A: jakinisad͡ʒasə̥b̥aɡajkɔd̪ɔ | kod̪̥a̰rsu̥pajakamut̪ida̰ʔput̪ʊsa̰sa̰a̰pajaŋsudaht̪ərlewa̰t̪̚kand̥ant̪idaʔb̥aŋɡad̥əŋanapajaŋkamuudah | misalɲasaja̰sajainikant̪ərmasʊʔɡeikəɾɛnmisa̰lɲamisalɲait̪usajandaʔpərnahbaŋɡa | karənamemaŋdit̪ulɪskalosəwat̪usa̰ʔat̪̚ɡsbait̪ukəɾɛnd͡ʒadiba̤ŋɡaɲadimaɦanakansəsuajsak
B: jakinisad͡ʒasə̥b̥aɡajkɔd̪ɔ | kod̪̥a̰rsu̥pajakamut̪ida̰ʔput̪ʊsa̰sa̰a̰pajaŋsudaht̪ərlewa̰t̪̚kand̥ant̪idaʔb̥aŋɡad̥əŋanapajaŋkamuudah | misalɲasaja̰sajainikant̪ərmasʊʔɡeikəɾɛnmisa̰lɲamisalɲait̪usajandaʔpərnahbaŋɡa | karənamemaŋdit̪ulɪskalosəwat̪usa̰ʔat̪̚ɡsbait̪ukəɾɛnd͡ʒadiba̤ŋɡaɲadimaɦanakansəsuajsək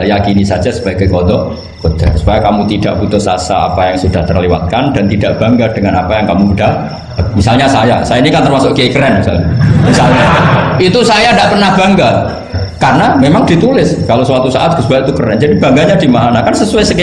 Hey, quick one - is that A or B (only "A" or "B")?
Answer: B